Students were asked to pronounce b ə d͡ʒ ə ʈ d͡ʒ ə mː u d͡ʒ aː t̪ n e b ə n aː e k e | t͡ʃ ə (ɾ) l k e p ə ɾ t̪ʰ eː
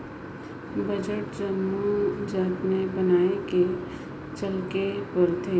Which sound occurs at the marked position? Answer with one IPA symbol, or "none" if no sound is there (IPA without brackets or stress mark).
none